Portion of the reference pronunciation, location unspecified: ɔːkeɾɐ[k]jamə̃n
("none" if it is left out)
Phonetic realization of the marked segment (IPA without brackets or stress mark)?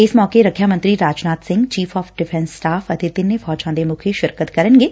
kʰ